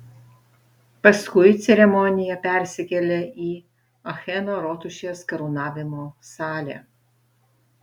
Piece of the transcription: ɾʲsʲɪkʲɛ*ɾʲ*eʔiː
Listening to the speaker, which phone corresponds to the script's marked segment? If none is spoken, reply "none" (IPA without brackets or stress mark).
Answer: lʲ